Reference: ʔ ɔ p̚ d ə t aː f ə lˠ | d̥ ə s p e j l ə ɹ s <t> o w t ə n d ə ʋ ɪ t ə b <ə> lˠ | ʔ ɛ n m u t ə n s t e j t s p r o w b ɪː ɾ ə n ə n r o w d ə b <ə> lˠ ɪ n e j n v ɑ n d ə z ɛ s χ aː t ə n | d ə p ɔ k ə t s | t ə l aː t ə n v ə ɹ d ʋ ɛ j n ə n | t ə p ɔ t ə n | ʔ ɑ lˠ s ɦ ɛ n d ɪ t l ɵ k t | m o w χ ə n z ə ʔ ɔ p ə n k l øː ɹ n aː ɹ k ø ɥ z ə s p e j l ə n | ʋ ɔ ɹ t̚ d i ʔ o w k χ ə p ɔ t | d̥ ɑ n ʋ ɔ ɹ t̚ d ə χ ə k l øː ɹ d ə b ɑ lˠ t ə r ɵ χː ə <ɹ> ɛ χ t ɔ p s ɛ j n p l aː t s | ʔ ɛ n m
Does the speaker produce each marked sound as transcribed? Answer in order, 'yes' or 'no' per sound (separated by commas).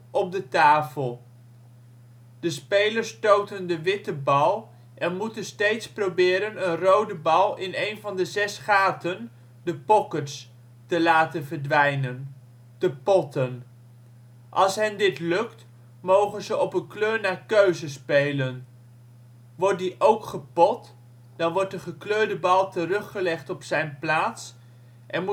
yes, no, no, no